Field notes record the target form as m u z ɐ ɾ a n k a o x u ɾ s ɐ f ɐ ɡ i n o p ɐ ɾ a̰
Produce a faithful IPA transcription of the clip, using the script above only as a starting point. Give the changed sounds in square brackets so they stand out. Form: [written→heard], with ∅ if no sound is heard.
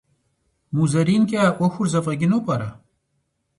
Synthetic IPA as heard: m u z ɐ ɾ [a→i] n k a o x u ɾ [s→z] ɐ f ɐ ɡ i n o p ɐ ɾ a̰